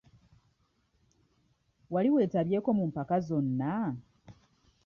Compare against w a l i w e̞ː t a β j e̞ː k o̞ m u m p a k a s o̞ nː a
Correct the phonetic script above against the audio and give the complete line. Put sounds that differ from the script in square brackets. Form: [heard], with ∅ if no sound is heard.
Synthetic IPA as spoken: w a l i w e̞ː t a β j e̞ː k o̞ m u m p a k a [z] o̞ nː a